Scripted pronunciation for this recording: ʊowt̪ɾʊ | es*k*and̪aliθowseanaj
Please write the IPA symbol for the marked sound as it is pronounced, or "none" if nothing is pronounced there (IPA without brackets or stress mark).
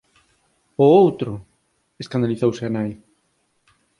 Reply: k